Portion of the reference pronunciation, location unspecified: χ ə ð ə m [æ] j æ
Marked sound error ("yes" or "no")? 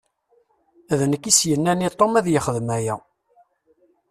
no